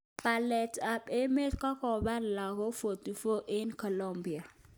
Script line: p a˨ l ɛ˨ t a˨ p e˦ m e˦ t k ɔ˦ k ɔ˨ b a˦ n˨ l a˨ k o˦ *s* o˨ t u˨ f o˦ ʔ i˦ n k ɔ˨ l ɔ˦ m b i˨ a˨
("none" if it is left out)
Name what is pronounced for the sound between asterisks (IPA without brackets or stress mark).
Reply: f